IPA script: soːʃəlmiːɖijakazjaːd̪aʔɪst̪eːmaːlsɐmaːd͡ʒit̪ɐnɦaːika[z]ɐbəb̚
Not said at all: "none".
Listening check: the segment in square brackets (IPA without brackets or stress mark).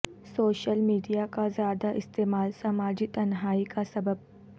s